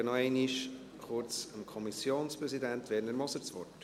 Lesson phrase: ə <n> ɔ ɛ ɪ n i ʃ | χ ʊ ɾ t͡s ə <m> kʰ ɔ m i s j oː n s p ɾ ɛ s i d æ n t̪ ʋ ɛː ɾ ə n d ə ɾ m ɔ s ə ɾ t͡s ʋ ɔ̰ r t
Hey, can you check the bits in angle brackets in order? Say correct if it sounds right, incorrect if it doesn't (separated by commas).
correct, correct